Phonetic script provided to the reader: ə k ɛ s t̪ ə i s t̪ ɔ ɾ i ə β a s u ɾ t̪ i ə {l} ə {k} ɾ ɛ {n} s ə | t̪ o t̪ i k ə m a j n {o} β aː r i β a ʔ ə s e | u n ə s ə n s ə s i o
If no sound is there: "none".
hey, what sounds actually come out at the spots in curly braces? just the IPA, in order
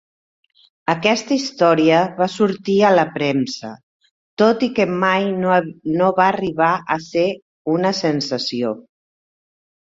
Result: l, p, m, o

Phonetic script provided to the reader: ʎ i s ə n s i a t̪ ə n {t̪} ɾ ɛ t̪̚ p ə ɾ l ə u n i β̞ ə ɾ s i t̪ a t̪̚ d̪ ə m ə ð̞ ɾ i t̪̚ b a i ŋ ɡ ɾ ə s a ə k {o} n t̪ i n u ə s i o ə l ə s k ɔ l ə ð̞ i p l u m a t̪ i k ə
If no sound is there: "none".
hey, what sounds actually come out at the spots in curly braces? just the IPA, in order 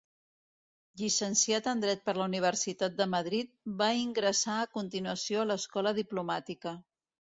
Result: d̪, u

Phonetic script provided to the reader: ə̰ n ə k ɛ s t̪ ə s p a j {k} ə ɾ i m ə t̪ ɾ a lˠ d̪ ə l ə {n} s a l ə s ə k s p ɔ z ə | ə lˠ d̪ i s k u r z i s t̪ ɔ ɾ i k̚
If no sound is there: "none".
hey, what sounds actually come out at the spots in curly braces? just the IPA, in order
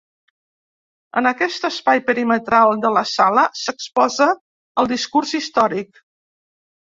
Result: p, none

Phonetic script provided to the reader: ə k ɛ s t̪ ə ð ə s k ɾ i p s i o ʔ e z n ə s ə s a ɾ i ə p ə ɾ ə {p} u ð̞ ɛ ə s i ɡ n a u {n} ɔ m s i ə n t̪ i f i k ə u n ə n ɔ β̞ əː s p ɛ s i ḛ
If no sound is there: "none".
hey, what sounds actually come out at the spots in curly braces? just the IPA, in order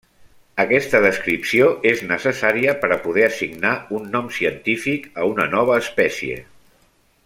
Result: p, nː

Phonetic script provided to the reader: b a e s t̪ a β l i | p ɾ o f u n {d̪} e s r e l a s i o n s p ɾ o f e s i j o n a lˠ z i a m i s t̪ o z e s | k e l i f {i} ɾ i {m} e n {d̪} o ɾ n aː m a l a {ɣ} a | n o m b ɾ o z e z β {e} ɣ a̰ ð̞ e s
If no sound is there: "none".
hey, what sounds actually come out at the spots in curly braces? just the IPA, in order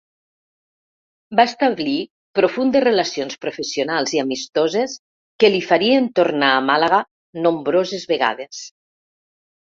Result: d̪, a, none, t̪, ɣ, e

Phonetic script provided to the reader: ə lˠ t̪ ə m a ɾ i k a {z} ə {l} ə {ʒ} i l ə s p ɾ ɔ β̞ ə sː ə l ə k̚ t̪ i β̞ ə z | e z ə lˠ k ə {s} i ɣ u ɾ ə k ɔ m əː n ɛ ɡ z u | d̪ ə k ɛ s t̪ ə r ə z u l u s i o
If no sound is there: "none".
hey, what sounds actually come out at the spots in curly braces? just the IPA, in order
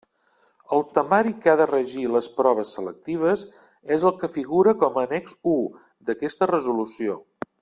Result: ð, r, ʒ, f

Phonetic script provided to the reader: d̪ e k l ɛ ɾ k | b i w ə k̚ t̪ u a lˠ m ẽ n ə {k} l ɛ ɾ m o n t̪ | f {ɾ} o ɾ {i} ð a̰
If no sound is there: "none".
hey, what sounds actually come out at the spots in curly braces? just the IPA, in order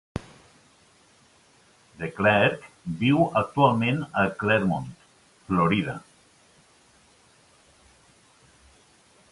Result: k, l, i

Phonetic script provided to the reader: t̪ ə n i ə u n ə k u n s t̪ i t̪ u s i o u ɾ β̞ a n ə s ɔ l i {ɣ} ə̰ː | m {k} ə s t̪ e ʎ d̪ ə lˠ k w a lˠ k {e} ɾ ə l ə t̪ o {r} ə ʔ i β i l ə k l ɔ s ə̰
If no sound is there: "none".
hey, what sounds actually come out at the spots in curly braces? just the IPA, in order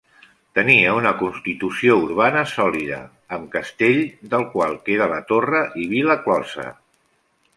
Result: ð, k, e, r

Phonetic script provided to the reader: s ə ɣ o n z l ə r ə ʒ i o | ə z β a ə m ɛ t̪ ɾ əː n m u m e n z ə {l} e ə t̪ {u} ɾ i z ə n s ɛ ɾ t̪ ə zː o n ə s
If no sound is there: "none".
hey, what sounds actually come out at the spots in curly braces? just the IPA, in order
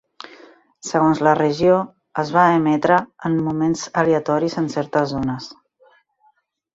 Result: l, ɔ

